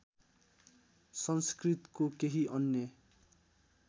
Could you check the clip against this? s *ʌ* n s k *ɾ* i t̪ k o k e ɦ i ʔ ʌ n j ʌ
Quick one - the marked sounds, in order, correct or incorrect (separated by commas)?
correct, incorrect